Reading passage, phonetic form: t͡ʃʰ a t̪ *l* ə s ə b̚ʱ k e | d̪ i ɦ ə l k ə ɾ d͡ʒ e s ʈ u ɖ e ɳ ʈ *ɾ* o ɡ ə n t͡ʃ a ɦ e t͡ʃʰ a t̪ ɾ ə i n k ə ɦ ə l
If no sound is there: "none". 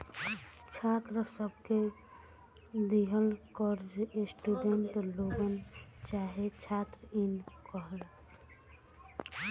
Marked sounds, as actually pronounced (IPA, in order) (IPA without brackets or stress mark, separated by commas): ɾ, l